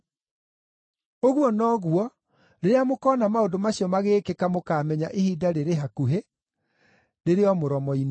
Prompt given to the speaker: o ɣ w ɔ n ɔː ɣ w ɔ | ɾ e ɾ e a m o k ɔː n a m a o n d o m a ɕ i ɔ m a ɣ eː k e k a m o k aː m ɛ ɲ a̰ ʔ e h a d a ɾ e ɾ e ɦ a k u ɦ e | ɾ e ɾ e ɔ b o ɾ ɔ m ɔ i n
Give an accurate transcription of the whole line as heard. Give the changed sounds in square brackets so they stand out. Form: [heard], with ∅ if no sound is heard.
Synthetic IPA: o ɣ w ɔ n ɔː ɣ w ɔ | ɾ e ɾ e a m o k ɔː n a m a o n d o m a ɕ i ɔ m a ɣ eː k e k a m o k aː m ɛ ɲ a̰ ʔ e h [i] d a ɾ e ɾ e ɦ a k u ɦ e | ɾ e ɾ e ɔ [m] o ɾ ɔ m ɔ i n